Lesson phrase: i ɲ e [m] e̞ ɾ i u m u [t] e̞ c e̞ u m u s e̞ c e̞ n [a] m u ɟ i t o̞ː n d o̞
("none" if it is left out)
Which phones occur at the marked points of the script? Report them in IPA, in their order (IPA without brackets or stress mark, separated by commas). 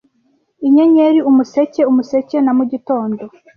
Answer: ɲ, s, a